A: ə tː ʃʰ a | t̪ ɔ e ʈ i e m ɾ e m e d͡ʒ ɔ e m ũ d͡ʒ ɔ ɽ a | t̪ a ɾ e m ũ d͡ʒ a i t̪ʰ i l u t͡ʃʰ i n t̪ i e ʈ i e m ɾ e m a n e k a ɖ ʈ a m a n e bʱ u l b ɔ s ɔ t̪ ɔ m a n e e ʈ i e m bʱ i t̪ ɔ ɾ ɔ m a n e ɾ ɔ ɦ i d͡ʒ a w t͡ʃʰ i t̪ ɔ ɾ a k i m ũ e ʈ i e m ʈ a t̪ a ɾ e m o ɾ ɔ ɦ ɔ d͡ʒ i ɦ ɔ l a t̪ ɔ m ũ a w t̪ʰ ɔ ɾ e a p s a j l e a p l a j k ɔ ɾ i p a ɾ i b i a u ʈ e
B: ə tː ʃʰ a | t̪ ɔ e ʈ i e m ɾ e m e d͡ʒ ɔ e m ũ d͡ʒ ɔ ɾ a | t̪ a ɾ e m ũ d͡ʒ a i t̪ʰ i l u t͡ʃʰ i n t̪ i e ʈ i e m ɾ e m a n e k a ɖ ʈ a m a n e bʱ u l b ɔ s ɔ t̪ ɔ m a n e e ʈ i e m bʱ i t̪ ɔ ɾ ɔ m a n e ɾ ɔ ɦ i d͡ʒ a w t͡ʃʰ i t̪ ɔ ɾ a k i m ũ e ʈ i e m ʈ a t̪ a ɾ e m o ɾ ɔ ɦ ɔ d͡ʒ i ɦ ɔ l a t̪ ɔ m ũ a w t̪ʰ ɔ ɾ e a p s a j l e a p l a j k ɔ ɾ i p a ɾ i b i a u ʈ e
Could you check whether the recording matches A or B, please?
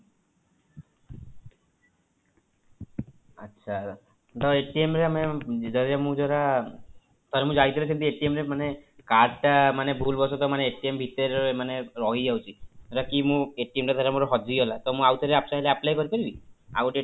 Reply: B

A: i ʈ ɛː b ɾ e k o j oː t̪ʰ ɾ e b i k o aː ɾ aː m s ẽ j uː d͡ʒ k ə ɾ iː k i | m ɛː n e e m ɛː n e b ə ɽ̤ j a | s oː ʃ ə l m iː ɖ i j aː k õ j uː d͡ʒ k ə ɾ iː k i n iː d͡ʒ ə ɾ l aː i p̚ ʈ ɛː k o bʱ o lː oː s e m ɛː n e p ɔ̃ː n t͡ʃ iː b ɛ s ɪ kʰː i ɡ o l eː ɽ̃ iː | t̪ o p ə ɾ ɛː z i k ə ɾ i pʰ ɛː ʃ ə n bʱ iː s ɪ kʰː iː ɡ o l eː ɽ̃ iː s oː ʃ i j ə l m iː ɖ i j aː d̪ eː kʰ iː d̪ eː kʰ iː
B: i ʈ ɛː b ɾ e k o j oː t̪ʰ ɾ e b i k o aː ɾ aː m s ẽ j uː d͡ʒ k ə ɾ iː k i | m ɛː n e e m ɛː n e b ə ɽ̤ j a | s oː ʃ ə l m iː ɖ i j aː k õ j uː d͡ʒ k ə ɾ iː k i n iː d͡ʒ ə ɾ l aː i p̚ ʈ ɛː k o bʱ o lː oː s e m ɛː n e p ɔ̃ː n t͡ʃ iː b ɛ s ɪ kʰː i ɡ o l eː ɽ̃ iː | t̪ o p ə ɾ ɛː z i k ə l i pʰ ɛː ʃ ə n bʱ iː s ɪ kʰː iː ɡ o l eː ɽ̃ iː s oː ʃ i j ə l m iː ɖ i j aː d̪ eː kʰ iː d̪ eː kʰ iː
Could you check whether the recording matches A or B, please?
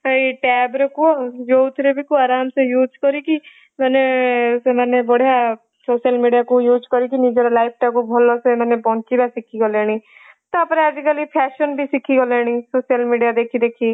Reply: B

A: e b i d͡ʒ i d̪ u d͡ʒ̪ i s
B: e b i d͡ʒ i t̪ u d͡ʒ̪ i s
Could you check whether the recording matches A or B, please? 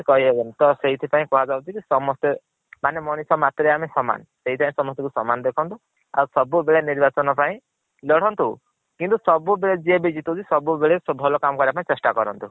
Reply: B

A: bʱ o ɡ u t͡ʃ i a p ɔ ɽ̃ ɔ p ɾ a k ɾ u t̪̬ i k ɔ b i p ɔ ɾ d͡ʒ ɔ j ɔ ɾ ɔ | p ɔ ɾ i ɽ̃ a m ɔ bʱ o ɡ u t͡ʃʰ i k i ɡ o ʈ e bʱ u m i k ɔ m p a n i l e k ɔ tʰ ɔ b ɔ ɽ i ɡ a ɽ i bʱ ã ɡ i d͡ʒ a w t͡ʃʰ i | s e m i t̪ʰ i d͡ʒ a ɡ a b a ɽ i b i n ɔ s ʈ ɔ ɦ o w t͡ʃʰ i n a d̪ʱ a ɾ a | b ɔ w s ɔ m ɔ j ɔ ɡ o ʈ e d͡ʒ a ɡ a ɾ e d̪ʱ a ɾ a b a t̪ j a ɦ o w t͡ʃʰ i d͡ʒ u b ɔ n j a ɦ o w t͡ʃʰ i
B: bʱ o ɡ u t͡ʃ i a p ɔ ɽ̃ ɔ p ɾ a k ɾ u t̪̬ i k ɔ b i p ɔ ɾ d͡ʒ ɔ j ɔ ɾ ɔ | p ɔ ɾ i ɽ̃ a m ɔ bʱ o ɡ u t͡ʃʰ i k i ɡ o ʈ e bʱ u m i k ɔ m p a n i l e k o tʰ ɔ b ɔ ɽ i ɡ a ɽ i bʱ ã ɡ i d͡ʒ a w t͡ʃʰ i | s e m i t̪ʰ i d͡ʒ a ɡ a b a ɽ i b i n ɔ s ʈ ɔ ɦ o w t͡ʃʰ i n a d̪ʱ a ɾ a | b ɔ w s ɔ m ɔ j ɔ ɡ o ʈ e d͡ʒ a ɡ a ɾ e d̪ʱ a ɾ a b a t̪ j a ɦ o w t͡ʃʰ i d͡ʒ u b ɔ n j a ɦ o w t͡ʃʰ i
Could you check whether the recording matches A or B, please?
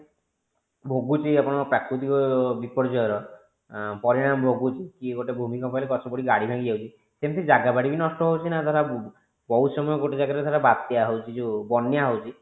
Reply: A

